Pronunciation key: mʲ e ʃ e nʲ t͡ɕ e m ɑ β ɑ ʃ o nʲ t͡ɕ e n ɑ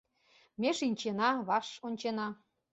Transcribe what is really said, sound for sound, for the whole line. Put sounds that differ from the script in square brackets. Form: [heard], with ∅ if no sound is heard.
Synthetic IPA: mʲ e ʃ [i] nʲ t͡ɕ e [n] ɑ β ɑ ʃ o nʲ t͡ɕ e n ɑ